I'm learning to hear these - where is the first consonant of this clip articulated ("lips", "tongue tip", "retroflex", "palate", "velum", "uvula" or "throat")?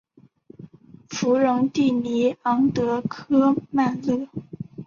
lips